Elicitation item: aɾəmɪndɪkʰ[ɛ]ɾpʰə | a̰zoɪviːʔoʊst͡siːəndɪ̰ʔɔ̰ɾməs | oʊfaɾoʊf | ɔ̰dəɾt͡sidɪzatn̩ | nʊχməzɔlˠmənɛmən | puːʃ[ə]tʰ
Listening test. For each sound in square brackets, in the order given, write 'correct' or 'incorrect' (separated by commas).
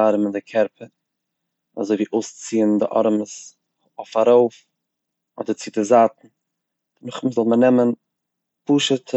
correct, correct